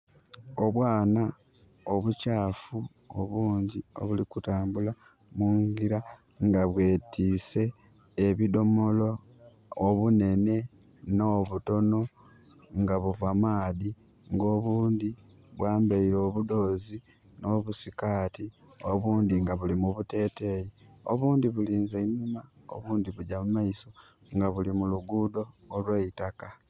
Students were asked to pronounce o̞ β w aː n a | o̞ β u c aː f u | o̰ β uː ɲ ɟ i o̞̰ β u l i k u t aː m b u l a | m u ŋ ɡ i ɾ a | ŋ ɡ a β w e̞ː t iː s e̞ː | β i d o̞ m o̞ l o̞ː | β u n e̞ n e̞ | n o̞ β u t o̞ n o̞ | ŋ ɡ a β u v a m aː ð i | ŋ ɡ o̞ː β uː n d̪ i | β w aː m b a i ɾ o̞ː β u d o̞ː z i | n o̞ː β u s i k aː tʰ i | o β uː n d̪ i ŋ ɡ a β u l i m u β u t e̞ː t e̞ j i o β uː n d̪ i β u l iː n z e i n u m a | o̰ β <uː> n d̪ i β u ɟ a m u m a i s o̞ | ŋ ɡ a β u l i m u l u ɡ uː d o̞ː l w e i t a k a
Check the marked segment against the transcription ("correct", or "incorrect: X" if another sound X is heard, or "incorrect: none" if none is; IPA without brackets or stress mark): correct